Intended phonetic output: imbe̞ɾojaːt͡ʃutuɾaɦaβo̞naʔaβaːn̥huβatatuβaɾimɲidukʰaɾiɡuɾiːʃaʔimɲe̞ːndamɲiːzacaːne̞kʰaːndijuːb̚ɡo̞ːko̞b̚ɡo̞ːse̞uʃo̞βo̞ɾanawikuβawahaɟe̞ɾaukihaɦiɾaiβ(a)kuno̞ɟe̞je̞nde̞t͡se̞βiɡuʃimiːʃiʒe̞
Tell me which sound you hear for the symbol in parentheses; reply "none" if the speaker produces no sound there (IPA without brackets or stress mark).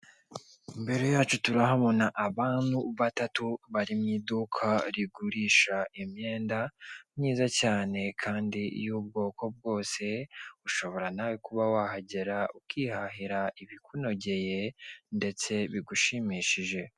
i